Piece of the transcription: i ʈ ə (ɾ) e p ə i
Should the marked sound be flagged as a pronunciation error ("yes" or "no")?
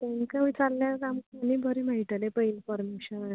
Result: yes